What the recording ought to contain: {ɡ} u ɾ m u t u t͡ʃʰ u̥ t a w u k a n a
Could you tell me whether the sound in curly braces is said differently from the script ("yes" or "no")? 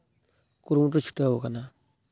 yes